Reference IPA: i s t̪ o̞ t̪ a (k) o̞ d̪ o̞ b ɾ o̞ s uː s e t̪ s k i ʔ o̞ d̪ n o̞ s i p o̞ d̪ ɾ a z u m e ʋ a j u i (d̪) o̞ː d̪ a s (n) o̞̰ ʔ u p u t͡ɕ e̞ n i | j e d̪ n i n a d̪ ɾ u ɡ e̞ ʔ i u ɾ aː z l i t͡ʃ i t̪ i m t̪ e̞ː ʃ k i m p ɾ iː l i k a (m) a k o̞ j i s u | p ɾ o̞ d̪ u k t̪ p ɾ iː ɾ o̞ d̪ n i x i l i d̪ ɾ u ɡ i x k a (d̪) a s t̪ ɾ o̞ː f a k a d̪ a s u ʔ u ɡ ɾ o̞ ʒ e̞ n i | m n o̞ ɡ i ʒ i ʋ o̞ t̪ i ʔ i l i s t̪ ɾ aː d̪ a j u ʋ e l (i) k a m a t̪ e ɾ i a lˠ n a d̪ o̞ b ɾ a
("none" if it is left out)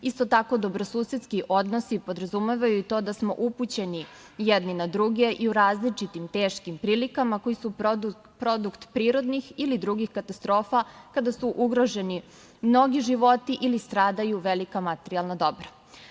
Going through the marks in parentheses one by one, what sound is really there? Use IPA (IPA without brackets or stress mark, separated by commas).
k, t̪, m, m, t̪, i